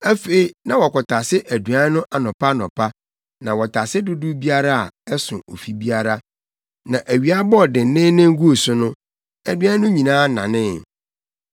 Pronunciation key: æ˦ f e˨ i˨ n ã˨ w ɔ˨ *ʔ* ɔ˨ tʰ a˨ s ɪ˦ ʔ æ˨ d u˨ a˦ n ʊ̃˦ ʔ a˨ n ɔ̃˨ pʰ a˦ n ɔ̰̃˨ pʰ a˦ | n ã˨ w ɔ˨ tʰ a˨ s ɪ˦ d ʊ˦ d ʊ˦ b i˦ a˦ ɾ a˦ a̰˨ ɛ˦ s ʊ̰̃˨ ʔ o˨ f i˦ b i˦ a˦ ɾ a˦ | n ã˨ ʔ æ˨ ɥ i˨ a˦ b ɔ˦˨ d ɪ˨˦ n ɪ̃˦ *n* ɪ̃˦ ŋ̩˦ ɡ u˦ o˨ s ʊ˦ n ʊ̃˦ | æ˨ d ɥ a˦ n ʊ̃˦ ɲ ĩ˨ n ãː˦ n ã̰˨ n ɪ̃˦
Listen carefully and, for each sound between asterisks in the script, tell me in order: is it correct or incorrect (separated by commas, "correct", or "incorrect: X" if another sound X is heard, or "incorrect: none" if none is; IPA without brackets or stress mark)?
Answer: incorrect: k, correct